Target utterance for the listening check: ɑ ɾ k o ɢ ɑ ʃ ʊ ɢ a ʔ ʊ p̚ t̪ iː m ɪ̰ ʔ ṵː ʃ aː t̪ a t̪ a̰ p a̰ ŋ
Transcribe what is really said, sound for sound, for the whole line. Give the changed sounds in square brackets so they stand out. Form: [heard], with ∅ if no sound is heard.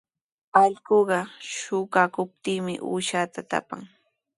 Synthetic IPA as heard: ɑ [ʎ] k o ɢ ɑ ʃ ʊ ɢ a [k] ʊ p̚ t̪ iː m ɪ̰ ʔ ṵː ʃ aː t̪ a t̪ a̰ p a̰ ŋ